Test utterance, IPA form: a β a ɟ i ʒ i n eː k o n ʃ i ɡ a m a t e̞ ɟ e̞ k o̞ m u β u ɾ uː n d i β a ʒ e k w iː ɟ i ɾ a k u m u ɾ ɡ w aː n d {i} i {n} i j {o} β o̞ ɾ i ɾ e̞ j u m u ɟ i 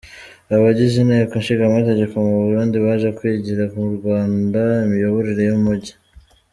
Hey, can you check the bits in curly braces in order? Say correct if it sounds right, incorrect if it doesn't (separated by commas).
incorrect, incorrect, correct